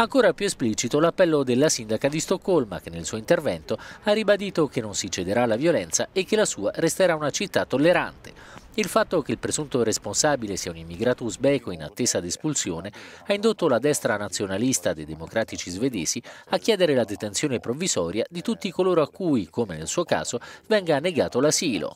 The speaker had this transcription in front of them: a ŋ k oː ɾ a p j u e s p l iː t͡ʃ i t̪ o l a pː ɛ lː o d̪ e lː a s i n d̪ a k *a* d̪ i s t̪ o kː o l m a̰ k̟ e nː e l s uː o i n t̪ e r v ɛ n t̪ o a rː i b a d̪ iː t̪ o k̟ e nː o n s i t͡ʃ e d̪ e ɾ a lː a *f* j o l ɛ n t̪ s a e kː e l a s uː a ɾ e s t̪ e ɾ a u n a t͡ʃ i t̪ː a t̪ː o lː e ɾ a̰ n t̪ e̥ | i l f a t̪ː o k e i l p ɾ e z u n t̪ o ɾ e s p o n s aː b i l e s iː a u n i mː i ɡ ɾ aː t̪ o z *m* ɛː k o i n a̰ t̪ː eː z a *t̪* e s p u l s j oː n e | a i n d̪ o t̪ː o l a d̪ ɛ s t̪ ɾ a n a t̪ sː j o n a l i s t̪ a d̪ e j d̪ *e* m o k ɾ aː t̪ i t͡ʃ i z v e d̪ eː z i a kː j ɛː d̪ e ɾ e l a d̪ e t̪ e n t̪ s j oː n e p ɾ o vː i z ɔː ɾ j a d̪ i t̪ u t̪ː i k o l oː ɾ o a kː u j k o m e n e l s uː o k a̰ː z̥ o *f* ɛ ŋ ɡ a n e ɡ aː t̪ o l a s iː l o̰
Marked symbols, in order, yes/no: yes, no, no, no, yes, no

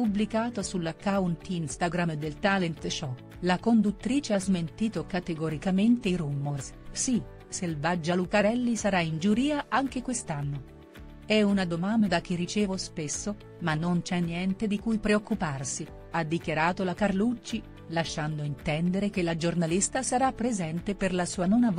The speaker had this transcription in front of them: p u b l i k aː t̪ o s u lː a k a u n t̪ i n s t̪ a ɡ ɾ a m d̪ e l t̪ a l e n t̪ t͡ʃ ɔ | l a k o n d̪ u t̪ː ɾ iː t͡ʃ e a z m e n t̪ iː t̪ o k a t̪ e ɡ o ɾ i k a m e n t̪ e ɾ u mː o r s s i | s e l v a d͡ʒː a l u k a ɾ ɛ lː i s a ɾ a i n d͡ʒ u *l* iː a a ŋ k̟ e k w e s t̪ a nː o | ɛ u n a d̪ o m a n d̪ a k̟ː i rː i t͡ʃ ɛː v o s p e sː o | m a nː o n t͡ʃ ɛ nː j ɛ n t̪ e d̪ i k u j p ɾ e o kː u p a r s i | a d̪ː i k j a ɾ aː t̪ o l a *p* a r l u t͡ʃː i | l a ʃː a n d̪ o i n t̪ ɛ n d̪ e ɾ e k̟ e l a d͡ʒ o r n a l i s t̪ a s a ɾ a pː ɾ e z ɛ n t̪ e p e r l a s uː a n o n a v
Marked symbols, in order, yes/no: no, no

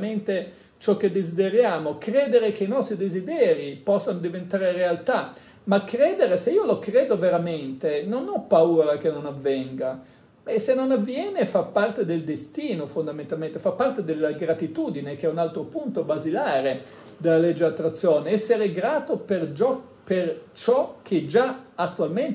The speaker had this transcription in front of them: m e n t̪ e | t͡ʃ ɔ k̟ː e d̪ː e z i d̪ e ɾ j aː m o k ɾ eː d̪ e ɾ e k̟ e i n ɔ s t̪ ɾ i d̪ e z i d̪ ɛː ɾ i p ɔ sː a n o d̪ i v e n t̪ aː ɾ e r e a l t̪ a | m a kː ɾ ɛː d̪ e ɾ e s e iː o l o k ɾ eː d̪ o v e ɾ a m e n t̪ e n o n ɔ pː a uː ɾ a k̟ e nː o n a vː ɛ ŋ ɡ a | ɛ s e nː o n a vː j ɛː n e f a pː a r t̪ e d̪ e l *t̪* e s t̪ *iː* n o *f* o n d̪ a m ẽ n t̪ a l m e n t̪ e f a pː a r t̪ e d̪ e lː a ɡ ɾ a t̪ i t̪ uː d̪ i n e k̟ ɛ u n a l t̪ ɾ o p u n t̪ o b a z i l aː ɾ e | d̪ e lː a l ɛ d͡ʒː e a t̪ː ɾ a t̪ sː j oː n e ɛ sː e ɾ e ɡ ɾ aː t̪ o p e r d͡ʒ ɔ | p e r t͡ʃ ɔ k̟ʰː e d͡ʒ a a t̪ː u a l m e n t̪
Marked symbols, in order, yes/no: no, yes, yes

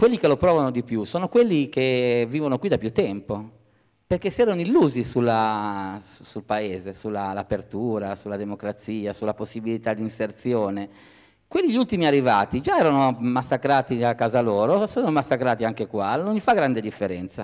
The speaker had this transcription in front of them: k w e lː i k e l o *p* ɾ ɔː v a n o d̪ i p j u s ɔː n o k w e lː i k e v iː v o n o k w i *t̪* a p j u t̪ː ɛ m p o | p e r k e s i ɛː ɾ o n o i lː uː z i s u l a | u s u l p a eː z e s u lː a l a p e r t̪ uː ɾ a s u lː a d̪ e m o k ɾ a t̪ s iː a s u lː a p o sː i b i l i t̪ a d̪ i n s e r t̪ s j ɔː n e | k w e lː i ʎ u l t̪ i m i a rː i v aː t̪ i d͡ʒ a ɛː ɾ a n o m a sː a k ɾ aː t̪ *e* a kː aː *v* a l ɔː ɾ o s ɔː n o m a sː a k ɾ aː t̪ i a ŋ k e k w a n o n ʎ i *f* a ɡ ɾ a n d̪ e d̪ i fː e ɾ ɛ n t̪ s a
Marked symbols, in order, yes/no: yes, no, no, no, yes

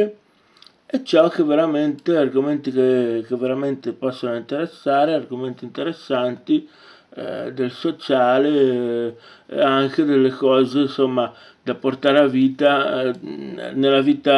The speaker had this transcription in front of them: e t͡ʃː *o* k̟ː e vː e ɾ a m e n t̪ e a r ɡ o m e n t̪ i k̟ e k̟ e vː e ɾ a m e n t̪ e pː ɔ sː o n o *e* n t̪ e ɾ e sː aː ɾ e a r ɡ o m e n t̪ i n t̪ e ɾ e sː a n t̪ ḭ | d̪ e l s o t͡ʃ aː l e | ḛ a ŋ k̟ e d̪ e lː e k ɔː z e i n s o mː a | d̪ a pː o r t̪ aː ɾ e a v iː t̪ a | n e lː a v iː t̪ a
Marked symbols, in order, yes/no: no, no

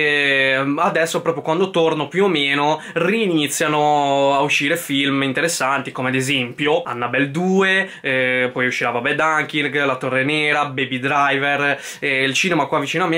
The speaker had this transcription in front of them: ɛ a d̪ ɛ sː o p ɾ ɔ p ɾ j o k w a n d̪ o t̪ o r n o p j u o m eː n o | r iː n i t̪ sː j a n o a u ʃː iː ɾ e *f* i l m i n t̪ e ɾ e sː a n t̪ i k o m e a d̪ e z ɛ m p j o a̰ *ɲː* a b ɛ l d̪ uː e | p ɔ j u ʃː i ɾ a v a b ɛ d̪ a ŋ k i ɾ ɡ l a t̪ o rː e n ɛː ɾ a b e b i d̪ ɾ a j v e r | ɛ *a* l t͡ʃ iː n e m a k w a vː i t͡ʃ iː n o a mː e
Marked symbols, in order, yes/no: yes, no, no

